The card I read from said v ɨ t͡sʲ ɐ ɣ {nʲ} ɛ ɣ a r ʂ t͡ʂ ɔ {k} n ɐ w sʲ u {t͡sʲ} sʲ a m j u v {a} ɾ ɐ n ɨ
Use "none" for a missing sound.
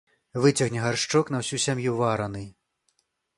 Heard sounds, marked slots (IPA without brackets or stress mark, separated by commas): nʲ, k, none, a